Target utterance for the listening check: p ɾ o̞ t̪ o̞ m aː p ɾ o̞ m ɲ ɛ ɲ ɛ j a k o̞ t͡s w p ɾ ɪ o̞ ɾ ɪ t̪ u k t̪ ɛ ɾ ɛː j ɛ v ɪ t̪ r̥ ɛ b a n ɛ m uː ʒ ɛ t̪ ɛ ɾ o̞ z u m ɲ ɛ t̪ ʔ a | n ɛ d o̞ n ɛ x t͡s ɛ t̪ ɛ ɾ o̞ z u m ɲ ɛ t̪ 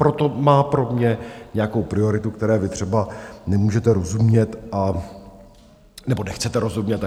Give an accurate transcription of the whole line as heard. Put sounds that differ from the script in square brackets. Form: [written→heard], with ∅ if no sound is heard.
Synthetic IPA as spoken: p ɾ o̞ t̪ o̞ m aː p ɾ o̞ m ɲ ɛ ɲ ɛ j a k o̞ [t͡s→∅] w p ɾ ɪ o̞ ɾ ɪ t̪ u k t̪ ɛ ɾ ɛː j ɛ v ɪ t̪ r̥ ɛ b a n ɛ m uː ʒ ɛ t̪ ɛ ɾ o̞ z u m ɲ ɛ t̪ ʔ a | n ɛ [d→b] o̞ n ɛ x t͡s ɛ t̪ ɛ ɾ o̞ z u m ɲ ɛ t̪